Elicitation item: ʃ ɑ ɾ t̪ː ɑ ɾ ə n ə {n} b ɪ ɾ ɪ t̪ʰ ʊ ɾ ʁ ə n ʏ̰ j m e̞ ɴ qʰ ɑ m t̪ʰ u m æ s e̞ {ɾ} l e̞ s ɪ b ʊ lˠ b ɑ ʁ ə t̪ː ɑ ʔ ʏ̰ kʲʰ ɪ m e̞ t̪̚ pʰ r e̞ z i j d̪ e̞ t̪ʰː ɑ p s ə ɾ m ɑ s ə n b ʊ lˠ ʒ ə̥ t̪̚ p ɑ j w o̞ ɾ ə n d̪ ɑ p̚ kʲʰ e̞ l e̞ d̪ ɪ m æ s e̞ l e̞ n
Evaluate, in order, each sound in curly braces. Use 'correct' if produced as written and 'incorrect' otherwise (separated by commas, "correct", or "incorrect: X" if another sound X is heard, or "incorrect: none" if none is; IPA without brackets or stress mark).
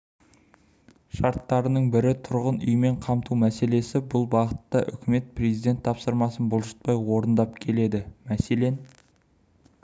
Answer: incorrect: ɴ, incorrect: none